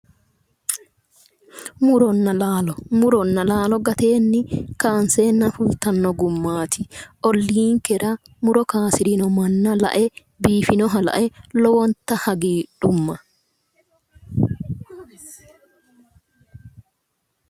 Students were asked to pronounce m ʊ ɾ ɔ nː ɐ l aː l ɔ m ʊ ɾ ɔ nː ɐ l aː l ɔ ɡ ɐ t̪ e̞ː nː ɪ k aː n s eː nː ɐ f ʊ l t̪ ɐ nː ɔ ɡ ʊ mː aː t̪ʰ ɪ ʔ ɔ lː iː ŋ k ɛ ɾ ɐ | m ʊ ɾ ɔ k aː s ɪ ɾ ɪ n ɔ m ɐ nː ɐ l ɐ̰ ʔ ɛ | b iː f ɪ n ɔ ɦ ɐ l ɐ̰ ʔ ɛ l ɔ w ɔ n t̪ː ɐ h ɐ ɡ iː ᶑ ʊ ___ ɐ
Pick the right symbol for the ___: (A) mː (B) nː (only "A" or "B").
A